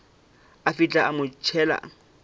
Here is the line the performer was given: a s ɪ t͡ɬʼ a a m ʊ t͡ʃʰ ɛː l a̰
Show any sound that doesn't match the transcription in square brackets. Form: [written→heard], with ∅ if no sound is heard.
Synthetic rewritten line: a [s→f] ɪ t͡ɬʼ a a m ʊ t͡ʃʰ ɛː l a̰

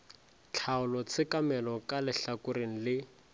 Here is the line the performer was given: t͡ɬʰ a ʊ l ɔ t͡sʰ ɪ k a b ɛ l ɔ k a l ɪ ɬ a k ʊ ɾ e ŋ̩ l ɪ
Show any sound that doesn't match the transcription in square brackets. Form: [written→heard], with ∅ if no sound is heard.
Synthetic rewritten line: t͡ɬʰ a ʊ l ɔ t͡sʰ ɪ k a [b→m] ɛ l ɔ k a l ɪ ɬ a k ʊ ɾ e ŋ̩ l ɪ

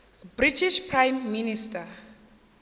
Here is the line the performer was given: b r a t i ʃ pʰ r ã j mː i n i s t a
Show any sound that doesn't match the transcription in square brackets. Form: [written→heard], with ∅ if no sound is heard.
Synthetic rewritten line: b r [a→i] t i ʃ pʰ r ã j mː i n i s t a

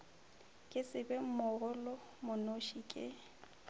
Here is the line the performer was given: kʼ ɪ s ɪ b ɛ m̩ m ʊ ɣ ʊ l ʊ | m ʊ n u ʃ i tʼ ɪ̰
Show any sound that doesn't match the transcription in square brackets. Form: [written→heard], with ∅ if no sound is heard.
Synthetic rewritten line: kʼ ɪ s ɪ b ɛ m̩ m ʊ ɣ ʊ l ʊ | m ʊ n [u→o] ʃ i [tʼ→kʼ] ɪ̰

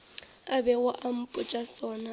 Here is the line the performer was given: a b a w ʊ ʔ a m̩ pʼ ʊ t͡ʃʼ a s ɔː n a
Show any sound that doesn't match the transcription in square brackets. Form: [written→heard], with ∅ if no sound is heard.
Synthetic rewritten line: a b [a→ɛ] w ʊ ʔ a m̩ pʼ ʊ t͡ʃʼ a s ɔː n a

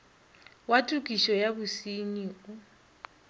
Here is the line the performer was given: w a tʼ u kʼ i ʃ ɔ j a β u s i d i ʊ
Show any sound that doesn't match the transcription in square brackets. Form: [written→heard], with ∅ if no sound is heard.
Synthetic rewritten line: w a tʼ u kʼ i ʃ ɔ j a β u s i [d→n] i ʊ

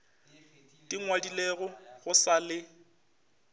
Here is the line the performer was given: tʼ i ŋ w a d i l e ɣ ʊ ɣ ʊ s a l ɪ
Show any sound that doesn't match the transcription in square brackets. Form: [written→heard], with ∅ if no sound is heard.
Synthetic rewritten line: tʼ i ŋ w a d i l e ɣ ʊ ɣ ʊ s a l ɪ

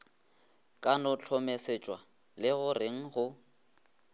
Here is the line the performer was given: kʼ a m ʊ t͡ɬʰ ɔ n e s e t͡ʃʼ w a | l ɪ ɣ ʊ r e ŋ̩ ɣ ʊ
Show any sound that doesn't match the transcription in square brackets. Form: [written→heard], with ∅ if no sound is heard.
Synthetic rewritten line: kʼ a [m→n] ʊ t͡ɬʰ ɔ [n→m] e s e t͡ʃʼ w a | l ɪ ɣ ʊ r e ŋ̩ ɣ ʊ

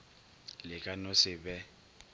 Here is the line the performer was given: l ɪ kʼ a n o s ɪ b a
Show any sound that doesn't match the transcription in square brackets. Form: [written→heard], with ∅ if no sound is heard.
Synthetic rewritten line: l ɪ kʼ a n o s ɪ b [a→ɛ]

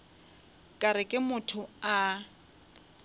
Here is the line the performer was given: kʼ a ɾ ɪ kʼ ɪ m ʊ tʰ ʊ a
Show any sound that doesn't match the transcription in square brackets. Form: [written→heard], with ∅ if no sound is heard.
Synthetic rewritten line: kʼ a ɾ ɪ kʼ ɪ m ʊ tʰ ʊ a

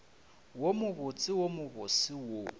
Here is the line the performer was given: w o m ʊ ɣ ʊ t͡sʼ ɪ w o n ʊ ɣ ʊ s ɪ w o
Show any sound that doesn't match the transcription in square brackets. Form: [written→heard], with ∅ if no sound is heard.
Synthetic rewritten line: w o m ʊ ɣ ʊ t͡sʼ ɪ w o [n→m] ʊ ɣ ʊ s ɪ w o

